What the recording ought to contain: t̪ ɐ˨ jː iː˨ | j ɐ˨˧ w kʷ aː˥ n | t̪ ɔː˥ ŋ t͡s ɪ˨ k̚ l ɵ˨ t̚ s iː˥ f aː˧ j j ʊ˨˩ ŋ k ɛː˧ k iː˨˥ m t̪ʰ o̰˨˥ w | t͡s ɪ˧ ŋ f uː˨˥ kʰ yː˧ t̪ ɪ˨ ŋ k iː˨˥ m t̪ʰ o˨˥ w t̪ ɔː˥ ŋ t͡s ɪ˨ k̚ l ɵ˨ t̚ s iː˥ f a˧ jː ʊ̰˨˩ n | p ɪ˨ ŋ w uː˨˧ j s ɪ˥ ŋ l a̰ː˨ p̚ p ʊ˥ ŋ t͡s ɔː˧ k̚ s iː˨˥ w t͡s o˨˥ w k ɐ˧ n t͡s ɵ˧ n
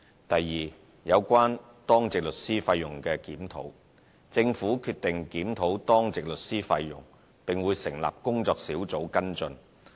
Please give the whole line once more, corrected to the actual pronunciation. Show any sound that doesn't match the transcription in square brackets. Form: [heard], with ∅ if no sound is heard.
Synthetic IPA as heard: t̪ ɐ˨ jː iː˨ | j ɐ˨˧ w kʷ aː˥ n | t̪ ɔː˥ ŋ t͡s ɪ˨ k̚ l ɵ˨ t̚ s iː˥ f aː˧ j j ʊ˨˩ ŋ k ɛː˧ k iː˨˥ m t̪ʰ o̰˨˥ w | t͡s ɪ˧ ŋ f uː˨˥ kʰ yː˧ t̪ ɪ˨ ŋ k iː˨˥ m t̪ʰ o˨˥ w t̪ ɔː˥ ŋ t͡s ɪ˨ k̚ l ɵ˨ t̚ s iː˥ f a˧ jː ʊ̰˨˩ [ŋ] | p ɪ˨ ŋ w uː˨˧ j s [ɪ˨˩] ŋ l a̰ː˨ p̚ [k] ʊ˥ ŋ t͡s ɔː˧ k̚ s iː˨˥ w t͡s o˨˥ w k [ɐ˥] n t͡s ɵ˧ n